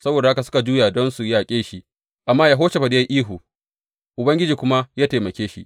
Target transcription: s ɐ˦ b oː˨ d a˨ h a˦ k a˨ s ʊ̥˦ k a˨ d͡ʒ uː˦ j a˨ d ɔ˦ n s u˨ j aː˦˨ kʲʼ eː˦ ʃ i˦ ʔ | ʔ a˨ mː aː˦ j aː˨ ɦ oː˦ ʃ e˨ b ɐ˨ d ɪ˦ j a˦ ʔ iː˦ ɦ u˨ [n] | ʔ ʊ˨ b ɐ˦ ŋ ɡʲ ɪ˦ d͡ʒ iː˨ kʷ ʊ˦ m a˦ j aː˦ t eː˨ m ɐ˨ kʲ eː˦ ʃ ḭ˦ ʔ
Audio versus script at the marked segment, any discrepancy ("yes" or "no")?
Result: yes